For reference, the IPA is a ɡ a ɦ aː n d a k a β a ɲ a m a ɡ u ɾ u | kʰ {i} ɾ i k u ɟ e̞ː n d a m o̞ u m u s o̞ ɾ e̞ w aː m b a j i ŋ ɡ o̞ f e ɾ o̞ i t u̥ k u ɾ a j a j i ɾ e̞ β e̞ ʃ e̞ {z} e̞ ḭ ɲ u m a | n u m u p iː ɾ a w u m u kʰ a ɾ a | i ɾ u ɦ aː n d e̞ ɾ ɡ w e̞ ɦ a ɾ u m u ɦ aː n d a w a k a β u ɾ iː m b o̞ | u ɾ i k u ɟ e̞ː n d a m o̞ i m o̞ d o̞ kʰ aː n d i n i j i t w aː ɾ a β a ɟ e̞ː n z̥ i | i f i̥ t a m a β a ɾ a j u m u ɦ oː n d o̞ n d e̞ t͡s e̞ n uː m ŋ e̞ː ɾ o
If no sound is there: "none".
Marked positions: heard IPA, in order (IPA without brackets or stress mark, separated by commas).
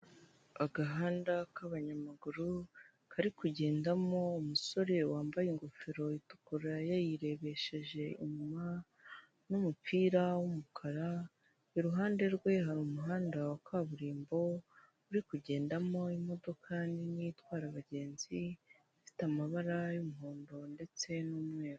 a, ʒ